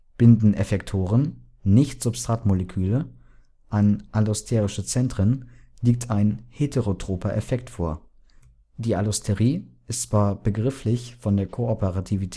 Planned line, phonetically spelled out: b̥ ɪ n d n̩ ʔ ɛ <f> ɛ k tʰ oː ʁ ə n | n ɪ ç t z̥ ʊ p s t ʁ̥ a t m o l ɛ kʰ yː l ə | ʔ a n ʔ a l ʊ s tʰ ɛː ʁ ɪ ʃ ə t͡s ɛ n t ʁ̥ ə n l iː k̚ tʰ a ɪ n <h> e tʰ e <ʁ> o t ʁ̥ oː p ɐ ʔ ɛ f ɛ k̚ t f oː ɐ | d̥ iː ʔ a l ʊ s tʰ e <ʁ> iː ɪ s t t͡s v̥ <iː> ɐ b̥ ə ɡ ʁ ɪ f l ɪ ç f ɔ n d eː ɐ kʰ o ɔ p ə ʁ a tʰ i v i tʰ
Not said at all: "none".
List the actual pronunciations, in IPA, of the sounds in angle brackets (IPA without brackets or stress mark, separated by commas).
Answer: f, h, ʁ, ʁ, aː